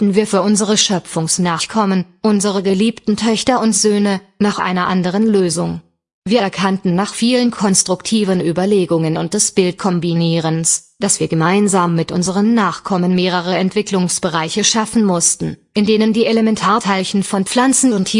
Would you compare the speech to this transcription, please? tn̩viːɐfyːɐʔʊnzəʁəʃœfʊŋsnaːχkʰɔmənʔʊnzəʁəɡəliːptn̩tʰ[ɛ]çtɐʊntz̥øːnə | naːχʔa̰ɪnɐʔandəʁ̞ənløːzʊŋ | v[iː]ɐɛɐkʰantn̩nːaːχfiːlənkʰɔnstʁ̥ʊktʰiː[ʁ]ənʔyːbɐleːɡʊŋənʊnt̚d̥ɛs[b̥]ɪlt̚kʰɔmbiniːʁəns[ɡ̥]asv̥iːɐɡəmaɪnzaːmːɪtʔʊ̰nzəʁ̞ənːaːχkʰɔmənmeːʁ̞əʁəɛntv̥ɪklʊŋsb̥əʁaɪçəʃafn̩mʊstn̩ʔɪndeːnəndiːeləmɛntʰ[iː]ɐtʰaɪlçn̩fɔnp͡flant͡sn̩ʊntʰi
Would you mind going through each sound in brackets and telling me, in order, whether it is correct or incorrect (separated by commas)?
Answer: incorrect, correct, incorrect, correct, incorrect, incorrect